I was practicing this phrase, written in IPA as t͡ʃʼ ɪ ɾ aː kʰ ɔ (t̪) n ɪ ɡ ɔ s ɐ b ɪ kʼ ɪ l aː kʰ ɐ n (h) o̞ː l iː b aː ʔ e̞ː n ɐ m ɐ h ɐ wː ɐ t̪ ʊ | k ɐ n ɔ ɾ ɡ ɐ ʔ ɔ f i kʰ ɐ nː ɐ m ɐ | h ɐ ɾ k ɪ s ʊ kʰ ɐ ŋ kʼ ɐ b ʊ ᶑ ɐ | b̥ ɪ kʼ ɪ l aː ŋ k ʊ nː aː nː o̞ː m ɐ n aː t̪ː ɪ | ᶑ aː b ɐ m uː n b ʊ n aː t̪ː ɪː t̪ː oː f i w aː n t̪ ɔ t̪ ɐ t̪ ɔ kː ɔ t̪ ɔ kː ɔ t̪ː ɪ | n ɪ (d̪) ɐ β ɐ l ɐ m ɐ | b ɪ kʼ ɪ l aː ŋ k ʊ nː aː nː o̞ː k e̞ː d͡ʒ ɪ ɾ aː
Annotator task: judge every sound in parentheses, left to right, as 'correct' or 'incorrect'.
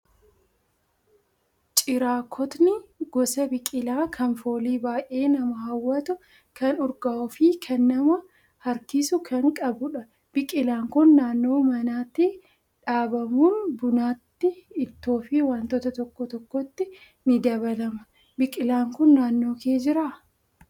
correct, incorrect, correct

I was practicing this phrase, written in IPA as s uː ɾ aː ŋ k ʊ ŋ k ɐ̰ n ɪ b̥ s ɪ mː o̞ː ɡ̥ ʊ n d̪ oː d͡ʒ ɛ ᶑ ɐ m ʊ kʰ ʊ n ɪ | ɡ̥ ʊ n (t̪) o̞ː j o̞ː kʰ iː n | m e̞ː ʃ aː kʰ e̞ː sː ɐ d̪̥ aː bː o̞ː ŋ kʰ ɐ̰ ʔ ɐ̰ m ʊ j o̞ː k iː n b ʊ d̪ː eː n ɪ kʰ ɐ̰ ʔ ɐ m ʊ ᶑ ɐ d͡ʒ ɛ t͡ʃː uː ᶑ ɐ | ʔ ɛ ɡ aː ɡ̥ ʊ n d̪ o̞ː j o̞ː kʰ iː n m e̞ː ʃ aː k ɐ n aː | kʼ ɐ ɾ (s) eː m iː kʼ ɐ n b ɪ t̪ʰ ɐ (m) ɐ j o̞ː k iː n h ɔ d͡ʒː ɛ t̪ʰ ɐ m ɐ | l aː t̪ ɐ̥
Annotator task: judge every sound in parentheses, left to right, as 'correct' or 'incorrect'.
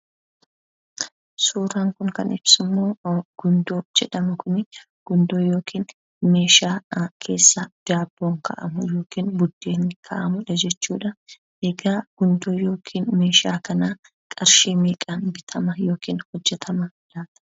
incorrect, incorrect, correct

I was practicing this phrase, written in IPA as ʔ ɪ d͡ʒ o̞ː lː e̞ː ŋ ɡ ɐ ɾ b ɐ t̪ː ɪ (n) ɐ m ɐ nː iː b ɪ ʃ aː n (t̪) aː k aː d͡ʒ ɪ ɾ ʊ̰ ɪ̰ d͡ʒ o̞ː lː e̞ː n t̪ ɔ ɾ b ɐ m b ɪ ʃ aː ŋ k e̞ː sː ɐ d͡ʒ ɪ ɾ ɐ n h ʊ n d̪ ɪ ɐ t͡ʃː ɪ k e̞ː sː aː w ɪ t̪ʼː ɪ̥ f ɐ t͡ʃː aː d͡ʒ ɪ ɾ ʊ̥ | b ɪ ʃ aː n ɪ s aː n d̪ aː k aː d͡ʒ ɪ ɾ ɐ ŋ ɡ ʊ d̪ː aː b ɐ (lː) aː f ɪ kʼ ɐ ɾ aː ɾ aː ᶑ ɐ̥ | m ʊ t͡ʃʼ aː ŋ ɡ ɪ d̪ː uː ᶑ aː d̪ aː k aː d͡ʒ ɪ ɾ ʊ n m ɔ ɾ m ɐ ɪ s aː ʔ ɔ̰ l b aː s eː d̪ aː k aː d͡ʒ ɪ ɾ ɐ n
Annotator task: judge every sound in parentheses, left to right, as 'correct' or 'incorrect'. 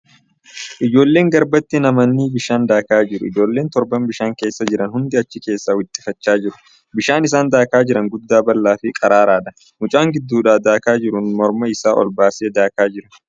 correct, incorrect, correct

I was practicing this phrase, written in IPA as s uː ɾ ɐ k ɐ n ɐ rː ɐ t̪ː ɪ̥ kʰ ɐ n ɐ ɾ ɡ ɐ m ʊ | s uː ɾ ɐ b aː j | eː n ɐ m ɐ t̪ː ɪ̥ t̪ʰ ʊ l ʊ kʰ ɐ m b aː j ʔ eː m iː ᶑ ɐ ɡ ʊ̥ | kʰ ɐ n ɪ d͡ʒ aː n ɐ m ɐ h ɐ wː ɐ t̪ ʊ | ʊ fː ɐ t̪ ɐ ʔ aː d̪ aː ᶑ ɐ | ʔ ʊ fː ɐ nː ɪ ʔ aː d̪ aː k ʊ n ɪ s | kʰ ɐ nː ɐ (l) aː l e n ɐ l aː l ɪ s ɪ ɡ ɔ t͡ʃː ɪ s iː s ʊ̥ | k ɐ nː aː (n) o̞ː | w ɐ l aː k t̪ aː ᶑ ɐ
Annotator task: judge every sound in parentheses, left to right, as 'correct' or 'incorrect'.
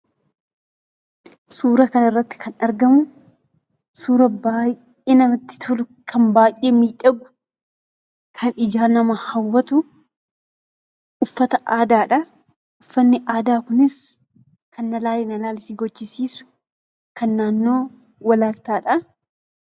correct, incorrect

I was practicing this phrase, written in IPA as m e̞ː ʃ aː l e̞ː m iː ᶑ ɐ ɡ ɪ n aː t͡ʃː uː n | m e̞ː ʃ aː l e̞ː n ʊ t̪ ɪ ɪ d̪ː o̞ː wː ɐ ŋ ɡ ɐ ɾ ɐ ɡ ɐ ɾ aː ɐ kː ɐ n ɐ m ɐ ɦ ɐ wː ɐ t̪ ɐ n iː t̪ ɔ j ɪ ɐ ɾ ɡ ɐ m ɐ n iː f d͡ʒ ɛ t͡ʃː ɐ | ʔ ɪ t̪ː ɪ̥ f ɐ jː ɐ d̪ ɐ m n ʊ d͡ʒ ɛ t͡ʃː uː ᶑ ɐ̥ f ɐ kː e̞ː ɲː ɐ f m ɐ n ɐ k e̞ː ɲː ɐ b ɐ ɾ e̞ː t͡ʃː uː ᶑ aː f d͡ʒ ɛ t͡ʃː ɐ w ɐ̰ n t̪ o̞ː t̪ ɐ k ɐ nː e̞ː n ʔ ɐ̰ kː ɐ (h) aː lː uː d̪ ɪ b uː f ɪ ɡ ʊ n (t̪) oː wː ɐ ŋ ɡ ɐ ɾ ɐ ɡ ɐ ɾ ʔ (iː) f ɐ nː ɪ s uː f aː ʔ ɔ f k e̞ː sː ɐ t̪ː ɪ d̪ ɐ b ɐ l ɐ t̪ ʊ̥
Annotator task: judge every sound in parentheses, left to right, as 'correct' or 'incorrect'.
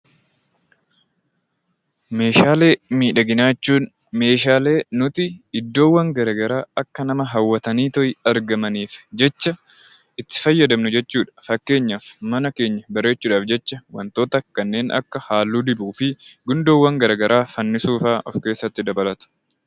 correct, incorrect, incorrect

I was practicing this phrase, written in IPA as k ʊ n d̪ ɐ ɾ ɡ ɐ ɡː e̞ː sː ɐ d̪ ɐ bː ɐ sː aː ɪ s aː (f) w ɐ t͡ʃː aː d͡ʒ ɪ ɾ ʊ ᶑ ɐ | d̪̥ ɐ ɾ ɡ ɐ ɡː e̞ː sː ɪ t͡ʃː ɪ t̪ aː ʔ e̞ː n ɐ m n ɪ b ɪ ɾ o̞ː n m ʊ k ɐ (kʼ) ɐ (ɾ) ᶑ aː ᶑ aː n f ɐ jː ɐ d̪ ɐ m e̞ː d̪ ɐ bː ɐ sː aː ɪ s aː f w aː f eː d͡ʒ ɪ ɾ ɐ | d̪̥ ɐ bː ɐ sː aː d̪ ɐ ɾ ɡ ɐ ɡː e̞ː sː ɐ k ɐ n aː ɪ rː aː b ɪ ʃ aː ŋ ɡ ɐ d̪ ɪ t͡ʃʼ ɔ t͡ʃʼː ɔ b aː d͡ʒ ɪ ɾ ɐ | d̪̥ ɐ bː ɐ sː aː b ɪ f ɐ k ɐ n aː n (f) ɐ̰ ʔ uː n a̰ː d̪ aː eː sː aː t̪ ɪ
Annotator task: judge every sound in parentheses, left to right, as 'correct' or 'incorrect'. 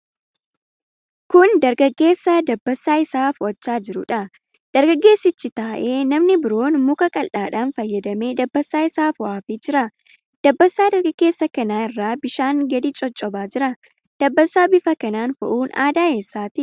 correct, correct, incorrect, correct

